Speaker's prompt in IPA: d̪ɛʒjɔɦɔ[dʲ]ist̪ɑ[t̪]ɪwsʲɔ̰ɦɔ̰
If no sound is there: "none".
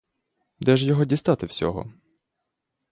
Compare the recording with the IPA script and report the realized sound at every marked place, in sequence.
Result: dʲ, t̪

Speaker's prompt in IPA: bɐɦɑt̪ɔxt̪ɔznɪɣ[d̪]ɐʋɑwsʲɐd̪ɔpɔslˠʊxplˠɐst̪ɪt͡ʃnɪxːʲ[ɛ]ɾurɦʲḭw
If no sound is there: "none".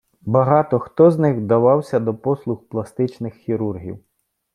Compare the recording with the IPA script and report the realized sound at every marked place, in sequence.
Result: d̪, i

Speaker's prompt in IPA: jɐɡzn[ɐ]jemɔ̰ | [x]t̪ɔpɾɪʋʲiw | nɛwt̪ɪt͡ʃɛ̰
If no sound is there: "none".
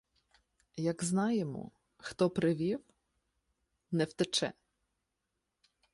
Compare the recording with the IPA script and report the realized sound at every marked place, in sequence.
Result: ɑ, x

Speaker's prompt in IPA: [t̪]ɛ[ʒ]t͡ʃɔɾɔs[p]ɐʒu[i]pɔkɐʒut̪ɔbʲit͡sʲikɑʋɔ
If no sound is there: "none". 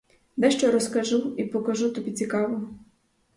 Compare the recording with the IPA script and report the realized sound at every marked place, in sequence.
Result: d̪, ʃ, k, i

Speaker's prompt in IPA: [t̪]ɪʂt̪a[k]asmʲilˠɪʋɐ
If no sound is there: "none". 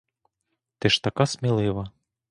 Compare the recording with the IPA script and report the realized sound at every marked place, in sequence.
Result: t̪, k

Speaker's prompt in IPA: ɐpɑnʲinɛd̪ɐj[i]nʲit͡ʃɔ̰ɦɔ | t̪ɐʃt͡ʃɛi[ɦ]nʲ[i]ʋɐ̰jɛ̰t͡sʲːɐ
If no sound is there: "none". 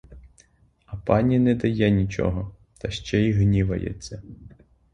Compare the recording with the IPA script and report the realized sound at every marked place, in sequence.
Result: ɛ, ɦ, i

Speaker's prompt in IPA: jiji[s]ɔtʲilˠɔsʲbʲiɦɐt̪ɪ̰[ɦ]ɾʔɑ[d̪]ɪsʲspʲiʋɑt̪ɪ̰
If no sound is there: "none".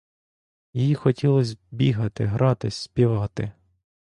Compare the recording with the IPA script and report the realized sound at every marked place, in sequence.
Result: x, ɦ, t̪

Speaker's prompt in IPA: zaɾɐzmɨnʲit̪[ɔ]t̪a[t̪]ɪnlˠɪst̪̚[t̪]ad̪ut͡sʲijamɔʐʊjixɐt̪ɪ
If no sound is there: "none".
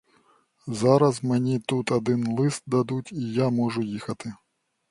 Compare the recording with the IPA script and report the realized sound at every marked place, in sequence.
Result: u, d̪, d̪

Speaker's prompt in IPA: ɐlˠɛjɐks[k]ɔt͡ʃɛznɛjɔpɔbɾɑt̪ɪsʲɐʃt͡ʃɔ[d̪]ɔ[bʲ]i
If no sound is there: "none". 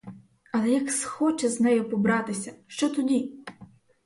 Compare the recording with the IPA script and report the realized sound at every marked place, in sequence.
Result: x, t̪, dʲ

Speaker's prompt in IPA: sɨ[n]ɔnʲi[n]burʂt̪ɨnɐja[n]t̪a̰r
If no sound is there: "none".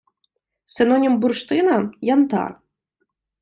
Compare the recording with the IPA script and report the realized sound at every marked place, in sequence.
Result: n, m, n

